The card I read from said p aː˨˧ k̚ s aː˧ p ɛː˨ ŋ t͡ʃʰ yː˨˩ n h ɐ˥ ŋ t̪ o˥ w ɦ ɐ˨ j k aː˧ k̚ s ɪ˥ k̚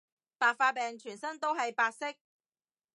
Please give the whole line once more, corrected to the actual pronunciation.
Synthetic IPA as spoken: p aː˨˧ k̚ f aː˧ p ɛː˨ ŋ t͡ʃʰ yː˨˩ n s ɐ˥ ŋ t̪ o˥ w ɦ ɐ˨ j p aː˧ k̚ s ɪ˥ k̚